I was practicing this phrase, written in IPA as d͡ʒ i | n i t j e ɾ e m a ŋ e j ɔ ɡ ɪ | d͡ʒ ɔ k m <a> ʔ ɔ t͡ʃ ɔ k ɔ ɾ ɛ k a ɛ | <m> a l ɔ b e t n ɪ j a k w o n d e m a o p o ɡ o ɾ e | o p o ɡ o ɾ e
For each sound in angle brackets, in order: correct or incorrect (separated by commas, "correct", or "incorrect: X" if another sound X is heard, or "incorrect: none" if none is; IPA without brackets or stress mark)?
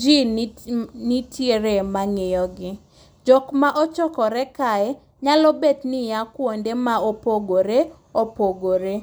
correct, incorrect: ɲ